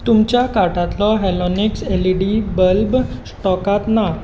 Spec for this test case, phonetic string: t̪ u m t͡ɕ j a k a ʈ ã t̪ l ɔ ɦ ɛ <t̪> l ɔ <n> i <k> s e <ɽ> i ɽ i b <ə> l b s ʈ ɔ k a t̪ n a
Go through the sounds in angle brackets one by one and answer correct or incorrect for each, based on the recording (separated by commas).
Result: incorrect, correct, correct, incorrect, correct